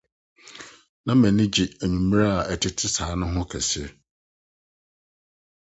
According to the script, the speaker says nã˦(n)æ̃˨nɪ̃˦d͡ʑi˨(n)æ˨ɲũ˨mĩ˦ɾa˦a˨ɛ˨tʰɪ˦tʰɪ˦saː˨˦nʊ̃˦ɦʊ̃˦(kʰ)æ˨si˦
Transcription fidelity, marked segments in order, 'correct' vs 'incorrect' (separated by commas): incorrect, incorrect, correct